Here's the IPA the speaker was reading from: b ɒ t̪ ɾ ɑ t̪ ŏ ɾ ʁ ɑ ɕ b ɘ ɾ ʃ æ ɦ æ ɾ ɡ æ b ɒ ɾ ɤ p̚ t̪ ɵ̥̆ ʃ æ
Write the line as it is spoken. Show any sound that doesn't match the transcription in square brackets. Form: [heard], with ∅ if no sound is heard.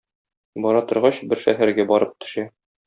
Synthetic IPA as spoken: b ɒ [∅] ɾ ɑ t̪ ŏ ɾ ʁ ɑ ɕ b ɘ ɾ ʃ æ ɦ æ ɾ ɡ æ b ɒ ɾ ɤ p̚ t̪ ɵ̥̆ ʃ æ